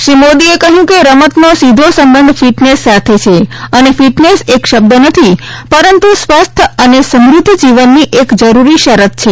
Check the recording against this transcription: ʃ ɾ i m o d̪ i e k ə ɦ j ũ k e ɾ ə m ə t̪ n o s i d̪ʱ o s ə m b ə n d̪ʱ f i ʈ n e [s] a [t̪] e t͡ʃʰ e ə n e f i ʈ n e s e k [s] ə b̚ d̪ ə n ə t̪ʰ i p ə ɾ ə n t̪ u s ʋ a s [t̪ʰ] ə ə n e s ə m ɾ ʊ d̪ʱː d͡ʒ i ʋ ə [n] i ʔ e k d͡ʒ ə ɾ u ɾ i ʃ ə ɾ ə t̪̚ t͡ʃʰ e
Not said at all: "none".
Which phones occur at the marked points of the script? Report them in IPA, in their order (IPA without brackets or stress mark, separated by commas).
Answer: sː, t̪ʰ, ʃ, t̪ʰ, nː